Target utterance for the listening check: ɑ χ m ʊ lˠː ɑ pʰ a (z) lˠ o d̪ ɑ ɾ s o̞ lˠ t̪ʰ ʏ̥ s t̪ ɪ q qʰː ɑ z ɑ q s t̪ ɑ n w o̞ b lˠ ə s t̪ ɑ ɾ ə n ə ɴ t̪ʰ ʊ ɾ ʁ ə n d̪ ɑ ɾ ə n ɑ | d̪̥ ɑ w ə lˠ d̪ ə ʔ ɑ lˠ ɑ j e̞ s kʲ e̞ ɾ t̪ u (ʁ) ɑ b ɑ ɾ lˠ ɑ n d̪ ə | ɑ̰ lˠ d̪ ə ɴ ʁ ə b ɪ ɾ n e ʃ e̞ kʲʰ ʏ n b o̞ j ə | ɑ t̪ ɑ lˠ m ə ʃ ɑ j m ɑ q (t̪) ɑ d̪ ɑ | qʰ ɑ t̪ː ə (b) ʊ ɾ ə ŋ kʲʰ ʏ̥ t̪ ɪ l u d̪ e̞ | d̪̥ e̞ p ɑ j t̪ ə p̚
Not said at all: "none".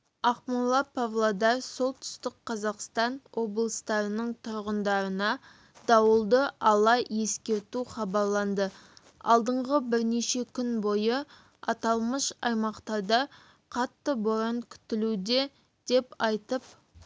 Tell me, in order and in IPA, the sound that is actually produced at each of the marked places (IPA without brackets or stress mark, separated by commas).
v, χ, t̪, b